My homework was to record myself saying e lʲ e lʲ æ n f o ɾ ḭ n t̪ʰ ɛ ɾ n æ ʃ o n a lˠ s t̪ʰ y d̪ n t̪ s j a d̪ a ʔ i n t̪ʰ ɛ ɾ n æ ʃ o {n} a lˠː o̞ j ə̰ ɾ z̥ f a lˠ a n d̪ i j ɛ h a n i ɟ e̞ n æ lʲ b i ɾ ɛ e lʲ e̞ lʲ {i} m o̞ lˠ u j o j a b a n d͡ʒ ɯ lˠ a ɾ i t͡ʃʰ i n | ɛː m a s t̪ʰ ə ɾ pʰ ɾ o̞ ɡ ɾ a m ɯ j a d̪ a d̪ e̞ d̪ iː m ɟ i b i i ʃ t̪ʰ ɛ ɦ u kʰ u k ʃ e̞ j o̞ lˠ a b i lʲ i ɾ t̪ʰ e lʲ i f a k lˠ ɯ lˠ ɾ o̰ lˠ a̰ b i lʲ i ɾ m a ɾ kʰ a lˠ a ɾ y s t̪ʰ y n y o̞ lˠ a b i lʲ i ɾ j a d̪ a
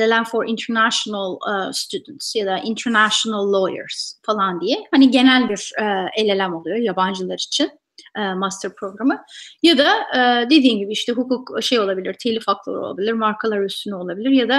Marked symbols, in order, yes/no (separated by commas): yes, no